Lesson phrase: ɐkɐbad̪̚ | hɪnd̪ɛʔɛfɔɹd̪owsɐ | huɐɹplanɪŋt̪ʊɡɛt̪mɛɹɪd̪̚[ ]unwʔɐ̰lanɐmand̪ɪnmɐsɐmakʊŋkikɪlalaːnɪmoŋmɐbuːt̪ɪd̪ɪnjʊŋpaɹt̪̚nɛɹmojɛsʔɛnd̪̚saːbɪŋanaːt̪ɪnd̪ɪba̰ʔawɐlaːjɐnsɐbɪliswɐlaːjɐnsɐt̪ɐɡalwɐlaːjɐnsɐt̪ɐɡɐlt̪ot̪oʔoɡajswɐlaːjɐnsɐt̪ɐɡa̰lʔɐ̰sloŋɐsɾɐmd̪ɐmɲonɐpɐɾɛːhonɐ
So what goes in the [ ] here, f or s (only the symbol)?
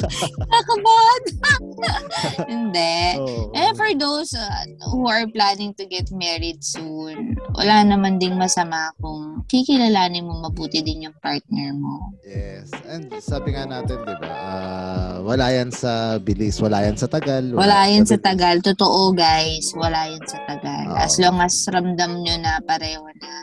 s